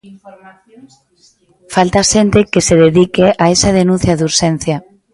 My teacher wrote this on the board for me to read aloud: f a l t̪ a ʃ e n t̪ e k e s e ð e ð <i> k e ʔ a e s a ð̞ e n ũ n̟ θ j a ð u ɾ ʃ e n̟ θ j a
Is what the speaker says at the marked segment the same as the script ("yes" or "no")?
yes